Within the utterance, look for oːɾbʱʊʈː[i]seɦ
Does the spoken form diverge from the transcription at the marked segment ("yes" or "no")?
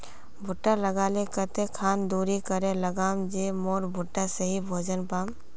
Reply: yes